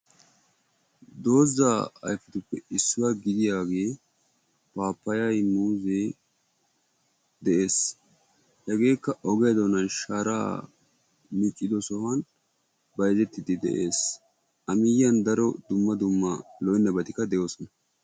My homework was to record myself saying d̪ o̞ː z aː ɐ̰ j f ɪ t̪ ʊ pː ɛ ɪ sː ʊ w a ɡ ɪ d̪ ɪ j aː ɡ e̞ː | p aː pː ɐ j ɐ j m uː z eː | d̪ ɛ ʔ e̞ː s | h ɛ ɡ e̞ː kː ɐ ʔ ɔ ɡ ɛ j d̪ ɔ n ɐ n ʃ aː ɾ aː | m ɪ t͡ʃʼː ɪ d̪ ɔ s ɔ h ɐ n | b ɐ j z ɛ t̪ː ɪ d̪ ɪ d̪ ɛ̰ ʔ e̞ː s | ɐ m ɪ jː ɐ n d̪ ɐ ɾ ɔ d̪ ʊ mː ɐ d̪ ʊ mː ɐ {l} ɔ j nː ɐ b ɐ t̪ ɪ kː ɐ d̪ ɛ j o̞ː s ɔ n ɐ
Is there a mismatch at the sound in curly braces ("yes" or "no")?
no